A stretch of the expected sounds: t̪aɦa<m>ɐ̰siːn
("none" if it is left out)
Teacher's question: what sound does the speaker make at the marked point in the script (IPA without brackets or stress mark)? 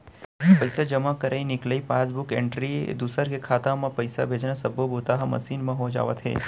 m